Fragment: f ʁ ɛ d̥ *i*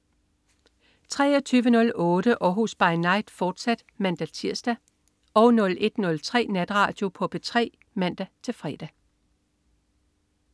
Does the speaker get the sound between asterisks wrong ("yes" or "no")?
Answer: yes